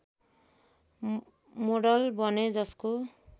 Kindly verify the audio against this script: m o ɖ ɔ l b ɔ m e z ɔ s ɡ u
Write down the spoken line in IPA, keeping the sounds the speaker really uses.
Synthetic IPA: m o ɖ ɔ l b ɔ n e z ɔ s k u